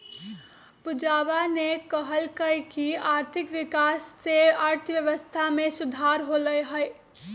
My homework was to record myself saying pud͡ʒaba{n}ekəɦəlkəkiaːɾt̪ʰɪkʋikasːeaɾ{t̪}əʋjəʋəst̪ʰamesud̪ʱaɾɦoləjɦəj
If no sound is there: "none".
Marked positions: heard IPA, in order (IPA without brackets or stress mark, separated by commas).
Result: n, t̪ʰ